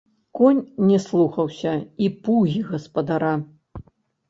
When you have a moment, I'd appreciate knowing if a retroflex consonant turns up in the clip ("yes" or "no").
no